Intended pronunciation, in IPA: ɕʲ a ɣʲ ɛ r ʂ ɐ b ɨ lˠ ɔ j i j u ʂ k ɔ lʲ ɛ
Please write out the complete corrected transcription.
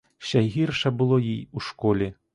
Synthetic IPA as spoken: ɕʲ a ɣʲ i r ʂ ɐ b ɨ lˠ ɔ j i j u ʂ k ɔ lʲ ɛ